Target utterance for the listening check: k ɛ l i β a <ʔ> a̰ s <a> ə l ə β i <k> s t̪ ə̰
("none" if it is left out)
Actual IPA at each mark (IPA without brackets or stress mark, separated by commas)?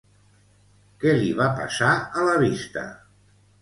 p, a, none